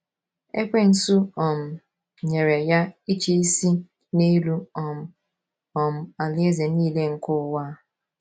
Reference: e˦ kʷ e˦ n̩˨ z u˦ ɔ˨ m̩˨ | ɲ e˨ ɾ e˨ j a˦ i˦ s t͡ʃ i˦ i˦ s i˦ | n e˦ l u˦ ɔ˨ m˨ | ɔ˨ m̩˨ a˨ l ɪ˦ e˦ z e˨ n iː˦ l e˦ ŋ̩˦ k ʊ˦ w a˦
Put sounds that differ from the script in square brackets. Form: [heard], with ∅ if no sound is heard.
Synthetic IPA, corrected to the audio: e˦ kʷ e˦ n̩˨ [s] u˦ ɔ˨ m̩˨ | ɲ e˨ ɾ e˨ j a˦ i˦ [∅] t͡ʃ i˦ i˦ s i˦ | n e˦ l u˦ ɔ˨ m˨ | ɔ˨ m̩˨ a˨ l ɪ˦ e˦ z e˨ n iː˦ l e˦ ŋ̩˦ k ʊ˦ w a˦